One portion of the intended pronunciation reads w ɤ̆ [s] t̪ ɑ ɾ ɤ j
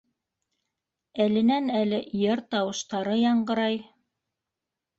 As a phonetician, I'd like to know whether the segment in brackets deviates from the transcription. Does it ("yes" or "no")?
yes